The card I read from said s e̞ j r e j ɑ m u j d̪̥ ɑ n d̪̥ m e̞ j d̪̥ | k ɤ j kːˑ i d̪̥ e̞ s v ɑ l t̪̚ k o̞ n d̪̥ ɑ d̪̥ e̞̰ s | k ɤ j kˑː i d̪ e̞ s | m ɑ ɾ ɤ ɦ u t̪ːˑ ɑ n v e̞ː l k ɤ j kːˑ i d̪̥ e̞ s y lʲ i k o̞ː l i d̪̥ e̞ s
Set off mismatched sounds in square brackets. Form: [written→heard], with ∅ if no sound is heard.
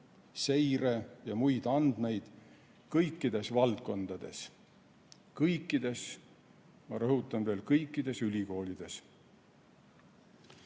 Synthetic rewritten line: s e̞ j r e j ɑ m u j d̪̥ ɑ n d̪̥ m e̞ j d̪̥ | k ɤ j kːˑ i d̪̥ e̞ s v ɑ l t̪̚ k o̞ n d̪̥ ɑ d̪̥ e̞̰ s | k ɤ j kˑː i d̪ e̞ s | m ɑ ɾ ɤ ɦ u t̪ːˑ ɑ n v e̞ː l k ɤ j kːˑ i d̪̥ e̞ s y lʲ i k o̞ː l i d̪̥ e̞ s